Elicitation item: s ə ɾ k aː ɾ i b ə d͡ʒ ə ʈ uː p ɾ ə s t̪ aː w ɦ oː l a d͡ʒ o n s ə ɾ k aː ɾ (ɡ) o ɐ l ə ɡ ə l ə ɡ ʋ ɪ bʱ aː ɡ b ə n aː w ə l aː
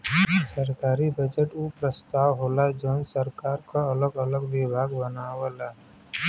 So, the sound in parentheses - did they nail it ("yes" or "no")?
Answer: no